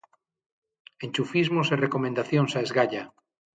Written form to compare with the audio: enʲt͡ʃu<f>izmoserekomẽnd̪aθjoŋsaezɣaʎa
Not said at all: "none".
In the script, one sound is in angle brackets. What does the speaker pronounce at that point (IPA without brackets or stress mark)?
f